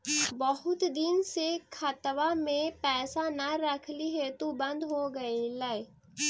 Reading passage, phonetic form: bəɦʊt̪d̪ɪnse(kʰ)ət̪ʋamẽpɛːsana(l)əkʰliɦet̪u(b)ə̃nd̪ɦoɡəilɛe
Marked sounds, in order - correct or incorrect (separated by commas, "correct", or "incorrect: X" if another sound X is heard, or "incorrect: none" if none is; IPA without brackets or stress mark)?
correct, incorrect: ɾ, correct